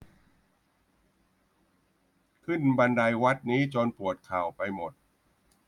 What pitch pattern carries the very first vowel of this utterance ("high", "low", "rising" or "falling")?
falling